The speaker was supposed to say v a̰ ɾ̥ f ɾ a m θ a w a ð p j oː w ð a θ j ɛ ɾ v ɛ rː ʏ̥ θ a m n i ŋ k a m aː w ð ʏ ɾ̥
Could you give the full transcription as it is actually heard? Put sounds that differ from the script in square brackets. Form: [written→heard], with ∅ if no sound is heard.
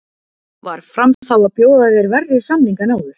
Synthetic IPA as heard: v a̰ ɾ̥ f ɾ a m θ a w a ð p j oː w ð a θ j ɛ ɾ v ɛ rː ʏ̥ [θ→s] a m n i ŋ k a [m→n] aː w ð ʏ ɾ̥